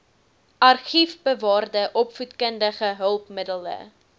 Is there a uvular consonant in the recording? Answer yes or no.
yes